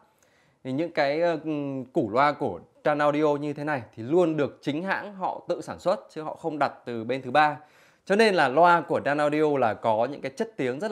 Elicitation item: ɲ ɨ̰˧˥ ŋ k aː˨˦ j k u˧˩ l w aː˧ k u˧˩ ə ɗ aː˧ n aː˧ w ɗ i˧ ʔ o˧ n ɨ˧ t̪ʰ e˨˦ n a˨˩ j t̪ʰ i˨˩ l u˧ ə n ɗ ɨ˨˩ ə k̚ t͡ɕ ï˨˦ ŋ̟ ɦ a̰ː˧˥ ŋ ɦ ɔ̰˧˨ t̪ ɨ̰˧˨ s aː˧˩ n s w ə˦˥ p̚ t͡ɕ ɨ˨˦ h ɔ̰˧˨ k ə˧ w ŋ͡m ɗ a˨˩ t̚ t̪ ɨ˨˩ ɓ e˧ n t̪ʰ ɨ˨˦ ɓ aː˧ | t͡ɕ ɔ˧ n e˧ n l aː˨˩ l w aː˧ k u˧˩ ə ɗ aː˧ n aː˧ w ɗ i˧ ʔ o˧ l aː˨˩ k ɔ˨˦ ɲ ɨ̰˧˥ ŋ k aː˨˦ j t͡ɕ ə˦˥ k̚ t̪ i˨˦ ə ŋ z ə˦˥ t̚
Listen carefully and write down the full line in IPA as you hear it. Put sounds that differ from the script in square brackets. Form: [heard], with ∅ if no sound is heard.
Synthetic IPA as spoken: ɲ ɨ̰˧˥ ŋ k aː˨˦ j k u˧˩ l w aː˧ k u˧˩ ə ɗ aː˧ n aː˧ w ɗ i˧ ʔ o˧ [ɲ] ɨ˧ t̪ʰ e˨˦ n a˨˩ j t̪ʰ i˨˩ l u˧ ə n ɗ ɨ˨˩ ə k̚ t͡ɕ ï˨˦ ŋ̟ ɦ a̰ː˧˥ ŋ ɦ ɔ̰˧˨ t̪ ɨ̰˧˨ s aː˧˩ n s w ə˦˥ [t̚] t͡ɕ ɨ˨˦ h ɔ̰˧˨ [x] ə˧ w ŋ͡m ɗ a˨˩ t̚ t̪ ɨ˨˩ ɓ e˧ n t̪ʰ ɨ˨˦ ɓ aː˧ | t͡ɕ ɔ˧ n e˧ n l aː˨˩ l w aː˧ k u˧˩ ə ɗ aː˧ n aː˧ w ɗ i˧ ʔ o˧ l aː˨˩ k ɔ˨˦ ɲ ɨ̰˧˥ ŋ k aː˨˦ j t͡ɕ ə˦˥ [t̚] t̪ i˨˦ ə ŋ z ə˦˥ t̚